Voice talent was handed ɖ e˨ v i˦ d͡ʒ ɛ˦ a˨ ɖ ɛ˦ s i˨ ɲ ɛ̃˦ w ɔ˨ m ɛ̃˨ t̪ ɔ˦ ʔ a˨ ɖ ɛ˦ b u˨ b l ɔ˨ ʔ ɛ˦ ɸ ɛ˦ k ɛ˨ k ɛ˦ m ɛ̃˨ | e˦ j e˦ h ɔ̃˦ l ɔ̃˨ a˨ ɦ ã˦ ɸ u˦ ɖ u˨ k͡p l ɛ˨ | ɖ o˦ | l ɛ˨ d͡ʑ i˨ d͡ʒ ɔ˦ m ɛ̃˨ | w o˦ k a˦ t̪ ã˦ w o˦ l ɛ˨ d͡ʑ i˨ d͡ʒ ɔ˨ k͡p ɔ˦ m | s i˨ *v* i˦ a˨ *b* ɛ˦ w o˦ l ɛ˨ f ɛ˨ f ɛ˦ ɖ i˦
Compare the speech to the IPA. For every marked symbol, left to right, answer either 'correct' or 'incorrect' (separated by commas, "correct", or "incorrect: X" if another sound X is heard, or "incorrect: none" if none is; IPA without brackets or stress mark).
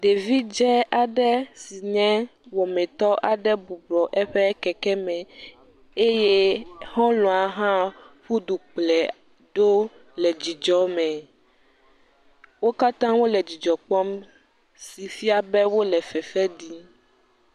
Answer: incorrect: f, correct